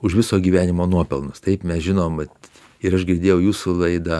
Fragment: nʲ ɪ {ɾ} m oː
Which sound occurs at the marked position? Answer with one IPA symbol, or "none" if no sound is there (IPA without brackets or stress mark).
none